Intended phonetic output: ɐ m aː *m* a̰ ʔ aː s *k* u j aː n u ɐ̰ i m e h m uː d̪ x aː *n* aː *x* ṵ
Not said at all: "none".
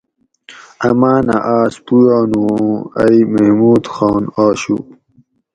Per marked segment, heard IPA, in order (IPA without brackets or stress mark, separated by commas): n, p, n, ɕ